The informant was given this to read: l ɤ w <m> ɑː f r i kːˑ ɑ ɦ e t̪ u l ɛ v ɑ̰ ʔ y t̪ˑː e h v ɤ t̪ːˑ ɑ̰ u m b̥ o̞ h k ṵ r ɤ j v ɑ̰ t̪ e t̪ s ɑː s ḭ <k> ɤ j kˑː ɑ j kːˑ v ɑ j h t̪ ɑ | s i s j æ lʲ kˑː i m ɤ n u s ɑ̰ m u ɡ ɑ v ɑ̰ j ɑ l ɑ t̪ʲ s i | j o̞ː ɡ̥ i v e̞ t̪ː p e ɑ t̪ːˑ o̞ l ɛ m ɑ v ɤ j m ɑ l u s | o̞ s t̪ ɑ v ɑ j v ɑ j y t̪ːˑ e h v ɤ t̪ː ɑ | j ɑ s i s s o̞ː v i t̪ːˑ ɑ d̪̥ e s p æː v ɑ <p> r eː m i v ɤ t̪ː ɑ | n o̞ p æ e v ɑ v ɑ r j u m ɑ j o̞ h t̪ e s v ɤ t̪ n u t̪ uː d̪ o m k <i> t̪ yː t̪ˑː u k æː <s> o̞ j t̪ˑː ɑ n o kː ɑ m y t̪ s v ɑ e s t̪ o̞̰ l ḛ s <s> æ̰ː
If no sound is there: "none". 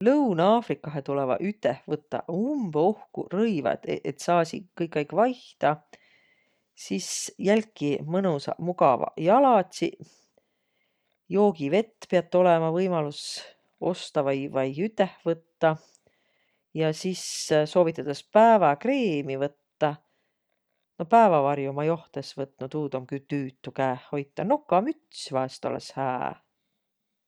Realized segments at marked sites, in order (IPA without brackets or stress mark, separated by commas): n, k, k, y, h, h